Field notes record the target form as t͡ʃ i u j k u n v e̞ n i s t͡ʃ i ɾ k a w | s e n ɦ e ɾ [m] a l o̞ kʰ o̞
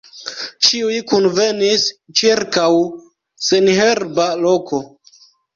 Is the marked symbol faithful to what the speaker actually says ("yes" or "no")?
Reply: no